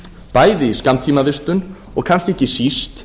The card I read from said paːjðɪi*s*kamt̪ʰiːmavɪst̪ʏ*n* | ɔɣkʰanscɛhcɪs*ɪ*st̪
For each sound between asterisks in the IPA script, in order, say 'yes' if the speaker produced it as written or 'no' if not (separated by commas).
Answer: yes, yes, no